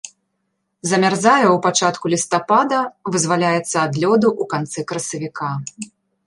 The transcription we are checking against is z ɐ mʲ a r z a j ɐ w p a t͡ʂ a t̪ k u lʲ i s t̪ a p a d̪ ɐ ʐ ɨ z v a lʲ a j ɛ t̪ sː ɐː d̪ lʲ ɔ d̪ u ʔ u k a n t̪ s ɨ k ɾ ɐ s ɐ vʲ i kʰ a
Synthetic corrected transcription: z ɐ mʲ a r z a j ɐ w p a t͡ʂ a t̪ k u lʲ i s t̪ a p a d̪ ɐ v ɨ z v a lʲ a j ɛ t̪ sː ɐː d̪ lʲ ɔ d̪ u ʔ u k a n t̪ s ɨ k ɾ ɐ s ɐ vʲ i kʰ a

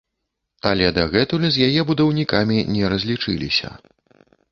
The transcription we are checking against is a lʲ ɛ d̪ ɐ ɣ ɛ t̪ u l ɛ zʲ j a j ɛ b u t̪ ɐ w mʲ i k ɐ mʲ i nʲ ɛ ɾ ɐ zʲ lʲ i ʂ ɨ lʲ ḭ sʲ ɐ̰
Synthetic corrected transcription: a lʲ ɛ d̪ ɐ ɣ ɛ t̪ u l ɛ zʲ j a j ɛ b u d̪ ɐ w nʲ i k a mʲ i nʲ ɛ ɾ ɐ zʲ lʲ i t͡ʂ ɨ lʲ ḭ sʲ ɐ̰

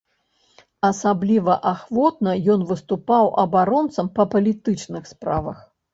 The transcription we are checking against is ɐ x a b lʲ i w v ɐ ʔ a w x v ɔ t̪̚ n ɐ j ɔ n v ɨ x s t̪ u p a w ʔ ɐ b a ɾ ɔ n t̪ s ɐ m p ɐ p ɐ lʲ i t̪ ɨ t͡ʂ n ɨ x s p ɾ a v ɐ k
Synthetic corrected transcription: ɐ s a b lʲ i v ɐ ʔ a x v ɔ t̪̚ n ɐ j ɔ n v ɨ s t̪ u p a w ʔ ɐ b a ɾ ɔ n t̪ s ɐ m p ɐ p ɐ lʲ i t̪ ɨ t͡ʂ n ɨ x s p ɾ a v ɐ x

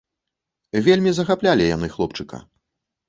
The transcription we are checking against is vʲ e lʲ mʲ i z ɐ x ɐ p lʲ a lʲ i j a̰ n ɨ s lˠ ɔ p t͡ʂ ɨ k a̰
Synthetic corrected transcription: vʲ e lʲ mʲ i z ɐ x a p lʲ a lʲ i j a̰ n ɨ x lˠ ɔ p t͡ʂ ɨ k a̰

